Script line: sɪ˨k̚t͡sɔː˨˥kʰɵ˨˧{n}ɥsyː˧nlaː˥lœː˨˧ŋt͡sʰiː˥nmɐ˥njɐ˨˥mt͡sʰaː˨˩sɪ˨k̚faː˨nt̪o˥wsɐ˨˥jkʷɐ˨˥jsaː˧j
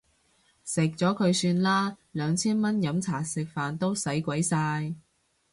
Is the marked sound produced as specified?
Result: no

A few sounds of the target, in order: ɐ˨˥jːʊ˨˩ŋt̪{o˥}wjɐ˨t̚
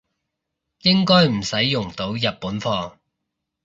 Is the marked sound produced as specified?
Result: no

